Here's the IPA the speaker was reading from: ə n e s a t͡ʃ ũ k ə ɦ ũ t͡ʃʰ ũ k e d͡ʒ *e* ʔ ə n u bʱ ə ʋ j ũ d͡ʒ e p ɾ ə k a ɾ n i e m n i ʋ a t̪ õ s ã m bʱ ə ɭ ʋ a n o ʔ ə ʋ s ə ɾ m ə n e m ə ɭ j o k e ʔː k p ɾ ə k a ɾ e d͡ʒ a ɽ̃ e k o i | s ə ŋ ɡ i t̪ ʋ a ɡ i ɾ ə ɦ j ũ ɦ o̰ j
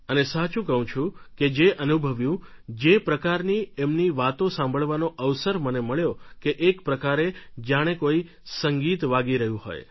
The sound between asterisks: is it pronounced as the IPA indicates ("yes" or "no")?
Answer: yes